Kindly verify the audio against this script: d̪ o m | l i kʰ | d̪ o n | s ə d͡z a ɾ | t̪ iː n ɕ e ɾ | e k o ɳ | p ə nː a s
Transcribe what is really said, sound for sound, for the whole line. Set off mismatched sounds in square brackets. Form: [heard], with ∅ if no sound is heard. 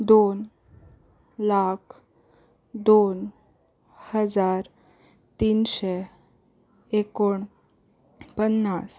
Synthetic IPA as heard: d̪ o [n] | l [a] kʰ | d̪ o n | [h] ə d͡z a ɾ | t̪ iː n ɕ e [∅] | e k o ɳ | p ə nː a s